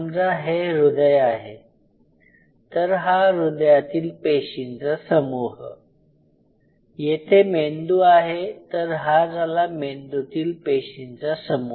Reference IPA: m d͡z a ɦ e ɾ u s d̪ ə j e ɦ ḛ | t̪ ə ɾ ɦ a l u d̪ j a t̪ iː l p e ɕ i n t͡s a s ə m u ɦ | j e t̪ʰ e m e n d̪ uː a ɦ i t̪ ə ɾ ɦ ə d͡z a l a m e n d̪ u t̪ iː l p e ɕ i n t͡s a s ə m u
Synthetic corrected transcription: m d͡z a ɦ e ɾ u d̪ ə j a ɦ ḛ | t̪ ə ɾ ɦ a ɾ u d̪ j a t̪ iː l p e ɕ i n t͡s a s ə m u ɦ | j e t̪ʰ e m e n d̪ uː a ɦ e t̪ ə ɾ ɦ a d͡z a l a m e n d̪ u t̪ iː l p e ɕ i n t͡s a s ə m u